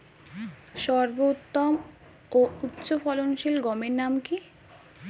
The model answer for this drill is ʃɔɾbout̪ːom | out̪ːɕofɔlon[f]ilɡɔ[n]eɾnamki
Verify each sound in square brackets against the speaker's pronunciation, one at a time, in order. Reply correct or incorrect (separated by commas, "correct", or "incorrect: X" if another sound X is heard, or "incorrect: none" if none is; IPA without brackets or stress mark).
incorrect: ʃ, incorrect: m